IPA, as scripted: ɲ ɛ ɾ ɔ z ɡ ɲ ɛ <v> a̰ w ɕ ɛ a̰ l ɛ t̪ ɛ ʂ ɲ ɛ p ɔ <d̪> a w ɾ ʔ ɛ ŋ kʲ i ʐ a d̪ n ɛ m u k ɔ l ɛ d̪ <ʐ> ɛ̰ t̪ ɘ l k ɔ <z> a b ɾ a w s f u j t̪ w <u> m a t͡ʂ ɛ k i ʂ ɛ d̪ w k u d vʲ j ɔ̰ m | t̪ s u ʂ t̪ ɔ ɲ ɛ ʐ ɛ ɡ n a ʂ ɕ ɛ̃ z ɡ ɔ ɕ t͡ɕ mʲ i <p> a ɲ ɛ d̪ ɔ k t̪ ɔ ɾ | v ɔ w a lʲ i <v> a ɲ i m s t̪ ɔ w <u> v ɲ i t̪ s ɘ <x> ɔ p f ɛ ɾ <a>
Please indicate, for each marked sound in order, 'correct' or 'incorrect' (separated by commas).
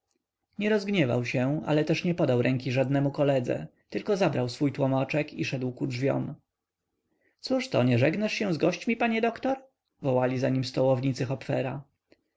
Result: correct, correct, incorrect, correct, incorrect, correct, incorrect, incorrect, correct, correct